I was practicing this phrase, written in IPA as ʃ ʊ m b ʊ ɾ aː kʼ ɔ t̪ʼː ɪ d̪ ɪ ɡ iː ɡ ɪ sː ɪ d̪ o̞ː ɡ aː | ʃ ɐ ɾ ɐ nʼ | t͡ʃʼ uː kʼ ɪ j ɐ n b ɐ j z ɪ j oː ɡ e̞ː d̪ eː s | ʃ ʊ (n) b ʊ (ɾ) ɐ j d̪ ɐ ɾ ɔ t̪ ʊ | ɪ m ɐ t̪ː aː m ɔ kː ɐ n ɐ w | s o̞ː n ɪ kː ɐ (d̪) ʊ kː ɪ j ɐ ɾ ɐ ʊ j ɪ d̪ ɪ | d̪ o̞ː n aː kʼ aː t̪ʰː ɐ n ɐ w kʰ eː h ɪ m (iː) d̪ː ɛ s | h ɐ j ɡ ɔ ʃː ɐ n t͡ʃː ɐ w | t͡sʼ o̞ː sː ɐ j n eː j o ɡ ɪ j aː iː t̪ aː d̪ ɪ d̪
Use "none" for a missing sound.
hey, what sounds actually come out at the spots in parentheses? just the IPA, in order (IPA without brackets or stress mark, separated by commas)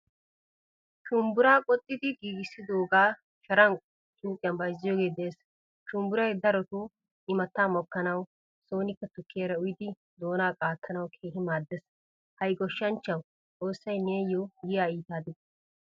m, ɾ, t̪, aː